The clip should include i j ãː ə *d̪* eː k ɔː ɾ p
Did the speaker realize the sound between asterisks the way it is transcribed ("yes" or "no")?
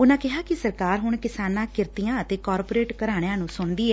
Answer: no